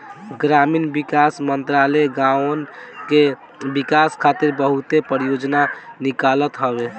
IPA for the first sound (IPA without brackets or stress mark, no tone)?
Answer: ɡ